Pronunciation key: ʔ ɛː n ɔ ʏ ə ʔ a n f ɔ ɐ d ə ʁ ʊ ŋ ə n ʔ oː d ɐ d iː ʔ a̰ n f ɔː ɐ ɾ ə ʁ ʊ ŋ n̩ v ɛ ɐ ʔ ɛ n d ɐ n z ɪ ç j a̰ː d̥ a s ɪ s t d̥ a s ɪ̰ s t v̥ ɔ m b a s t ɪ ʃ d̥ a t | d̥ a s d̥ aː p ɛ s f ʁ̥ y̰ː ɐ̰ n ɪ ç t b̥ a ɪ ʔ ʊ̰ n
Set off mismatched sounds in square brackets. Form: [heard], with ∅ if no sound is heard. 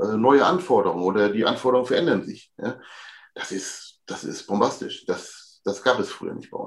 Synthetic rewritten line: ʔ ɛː n ɔ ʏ ə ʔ a n f ɔ ɐ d ə ʁ ʊ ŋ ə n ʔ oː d ɐ d iː ʔ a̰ n f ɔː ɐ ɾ ə ʁ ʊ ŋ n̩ [f] ɛ ɐ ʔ ɛ n d ɐ n z ɪ ç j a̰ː d̥ a s ɪ s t d̥ a s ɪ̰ s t [b̥] ɔ m b a s t ɪ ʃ d̥ a [s] | d̥ a s [ɡ̥] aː p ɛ s f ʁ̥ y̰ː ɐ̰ n ɪ ç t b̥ a ɪ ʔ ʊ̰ n